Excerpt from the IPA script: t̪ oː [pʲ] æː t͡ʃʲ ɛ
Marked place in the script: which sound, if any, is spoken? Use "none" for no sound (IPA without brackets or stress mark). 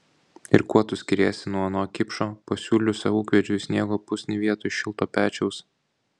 pʲ